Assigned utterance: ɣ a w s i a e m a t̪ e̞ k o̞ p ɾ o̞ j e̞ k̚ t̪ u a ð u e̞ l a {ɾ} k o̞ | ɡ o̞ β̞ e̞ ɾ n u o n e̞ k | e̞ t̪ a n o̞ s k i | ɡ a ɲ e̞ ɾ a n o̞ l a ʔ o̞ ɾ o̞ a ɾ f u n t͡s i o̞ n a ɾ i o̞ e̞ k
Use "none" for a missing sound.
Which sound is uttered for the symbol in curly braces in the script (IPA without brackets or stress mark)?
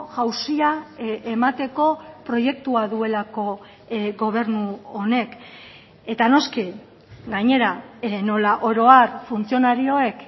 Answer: none